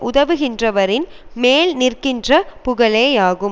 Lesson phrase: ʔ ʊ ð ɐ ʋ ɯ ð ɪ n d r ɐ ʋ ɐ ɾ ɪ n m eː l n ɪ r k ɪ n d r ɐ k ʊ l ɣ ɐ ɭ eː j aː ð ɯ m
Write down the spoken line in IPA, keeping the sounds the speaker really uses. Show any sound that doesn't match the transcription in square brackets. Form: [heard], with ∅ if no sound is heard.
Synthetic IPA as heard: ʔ ʊ ð ɐ ʋ ɯ [ɣ] ɪ n d r ɐ ʋ ɐ ɾ ɪ n m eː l n ɪ r k ɪ n d r ɐ [p] ʊ [∅] ɣ ɐ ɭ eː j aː [ɣ] ɯ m